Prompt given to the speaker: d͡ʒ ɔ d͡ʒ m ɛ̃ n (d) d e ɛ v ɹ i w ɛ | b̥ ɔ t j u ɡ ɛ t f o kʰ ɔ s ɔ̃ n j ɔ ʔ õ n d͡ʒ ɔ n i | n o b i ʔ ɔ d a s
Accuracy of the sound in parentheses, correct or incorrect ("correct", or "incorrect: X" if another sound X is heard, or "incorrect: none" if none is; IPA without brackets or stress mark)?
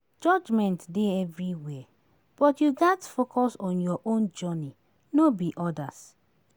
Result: incorrect: t